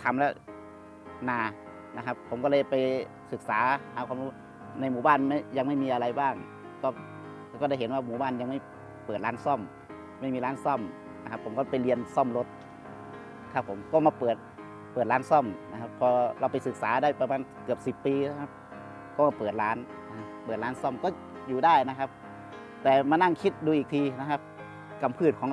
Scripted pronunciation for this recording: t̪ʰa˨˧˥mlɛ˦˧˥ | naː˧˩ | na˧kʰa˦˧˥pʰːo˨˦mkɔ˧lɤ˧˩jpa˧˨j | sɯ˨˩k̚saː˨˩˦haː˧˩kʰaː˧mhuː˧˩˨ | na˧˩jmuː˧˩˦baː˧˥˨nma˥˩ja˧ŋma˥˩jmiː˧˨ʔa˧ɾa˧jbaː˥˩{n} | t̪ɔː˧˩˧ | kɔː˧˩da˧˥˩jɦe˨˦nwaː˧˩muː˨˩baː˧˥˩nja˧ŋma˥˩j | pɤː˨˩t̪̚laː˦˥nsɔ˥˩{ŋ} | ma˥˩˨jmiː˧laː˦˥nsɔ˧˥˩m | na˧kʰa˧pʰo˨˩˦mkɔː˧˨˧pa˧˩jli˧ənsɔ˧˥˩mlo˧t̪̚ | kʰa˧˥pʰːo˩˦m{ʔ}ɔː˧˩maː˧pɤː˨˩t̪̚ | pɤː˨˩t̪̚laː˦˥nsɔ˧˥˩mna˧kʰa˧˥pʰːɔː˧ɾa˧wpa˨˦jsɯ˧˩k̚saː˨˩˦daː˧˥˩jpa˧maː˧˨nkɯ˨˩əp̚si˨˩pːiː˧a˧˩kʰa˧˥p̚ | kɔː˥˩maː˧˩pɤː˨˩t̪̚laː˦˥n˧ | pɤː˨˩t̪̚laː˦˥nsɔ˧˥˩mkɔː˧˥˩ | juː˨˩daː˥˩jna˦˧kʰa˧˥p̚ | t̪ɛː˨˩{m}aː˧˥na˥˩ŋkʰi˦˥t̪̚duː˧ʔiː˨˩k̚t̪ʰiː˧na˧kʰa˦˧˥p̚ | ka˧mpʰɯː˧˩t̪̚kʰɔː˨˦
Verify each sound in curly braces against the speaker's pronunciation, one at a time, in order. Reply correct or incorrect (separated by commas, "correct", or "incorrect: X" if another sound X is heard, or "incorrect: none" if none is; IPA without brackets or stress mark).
incorrect: ŋ, incorrect: m, incorrect: k, correct